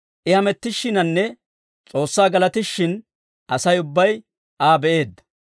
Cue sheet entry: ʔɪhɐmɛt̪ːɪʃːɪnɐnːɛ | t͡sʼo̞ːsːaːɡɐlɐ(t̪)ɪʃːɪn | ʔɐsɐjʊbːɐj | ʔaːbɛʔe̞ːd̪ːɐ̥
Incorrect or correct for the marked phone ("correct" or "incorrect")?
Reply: correct